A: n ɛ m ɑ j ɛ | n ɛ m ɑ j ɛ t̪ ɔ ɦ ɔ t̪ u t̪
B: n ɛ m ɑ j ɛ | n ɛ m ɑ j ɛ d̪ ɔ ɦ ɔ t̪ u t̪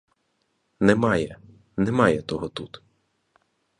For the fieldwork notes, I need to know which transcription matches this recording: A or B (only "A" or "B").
A